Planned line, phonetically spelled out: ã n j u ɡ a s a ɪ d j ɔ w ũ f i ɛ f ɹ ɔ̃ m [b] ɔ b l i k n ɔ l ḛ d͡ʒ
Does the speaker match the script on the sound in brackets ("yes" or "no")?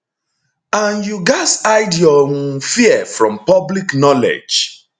no